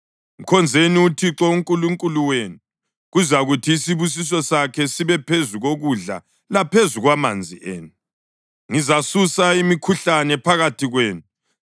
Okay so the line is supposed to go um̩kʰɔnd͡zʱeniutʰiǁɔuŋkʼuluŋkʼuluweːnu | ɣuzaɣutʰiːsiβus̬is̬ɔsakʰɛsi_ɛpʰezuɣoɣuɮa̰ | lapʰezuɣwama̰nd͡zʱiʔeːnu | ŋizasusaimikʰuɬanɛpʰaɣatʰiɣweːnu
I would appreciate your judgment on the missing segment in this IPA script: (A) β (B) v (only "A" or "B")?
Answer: A